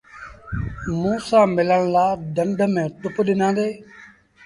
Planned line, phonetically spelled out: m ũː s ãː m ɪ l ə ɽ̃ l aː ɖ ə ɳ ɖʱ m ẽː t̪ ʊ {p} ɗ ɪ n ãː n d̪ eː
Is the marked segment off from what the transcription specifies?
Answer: no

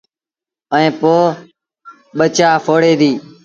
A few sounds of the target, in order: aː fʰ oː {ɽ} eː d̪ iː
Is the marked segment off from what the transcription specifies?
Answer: no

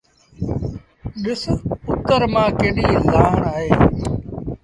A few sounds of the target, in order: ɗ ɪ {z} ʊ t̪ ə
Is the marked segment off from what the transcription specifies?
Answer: yes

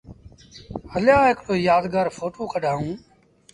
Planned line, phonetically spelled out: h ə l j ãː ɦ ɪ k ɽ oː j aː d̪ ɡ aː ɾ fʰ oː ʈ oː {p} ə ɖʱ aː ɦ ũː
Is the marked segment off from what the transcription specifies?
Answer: yes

